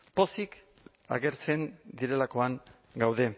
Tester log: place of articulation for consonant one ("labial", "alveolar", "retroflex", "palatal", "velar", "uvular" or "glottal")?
labial